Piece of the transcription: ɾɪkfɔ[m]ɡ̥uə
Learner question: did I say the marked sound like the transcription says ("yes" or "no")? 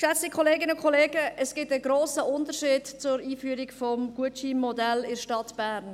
yes